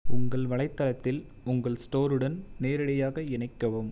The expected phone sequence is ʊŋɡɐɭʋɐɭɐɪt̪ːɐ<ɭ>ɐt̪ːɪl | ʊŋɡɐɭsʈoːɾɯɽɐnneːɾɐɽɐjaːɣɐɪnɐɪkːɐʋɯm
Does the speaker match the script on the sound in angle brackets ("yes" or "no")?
no